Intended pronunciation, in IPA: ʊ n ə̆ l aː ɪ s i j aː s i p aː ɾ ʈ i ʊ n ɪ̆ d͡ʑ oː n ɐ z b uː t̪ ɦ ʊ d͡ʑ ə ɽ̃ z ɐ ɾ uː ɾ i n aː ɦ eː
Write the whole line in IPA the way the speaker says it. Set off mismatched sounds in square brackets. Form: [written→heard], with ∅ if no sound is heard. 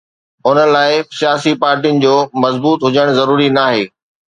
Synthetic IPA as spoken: ʊ n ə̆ l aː ɪ s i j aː s i p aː ɾ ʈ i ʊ n ɪ̆ d͡ʑ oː [n→m] ɐ z b uː t̪ ɦ ʊ d͡ʑ ə ɽ̃ z ɐ ɾ uː ɾ i n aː ɦ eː